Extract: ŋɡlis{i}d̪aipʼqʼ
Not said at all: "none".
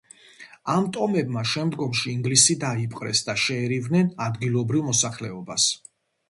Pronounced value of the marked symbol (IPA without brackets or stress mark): i